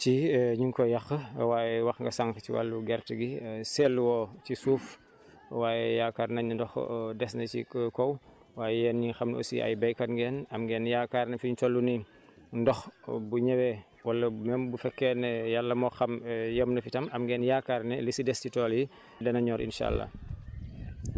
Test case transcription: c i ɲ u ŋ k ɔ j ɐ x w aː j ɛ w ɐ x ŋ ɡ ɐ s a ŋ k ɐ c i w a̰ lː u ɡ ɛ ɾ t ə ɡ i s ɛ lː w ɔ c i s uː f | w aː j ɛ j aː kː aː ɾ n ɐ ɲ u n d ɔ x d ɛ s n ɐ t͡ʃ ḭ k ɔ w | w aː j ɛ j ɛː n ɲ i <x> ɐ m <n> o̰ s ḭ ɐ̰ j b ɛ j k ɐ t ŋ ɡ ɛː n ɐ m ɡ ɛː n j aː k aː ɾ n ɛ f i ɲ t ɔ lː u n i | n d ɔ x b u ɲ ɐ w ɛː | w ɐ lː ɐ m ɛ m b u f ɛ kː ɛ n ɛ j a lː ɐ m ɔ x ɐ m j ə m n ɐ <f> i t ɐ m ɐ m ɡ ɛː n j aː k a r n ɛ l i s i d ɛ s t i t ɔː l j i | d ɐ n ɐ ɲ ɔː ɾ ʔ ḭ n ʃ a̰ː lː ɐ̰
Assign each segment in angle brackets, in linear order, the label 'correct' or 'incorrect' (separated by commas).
correct, correct, correct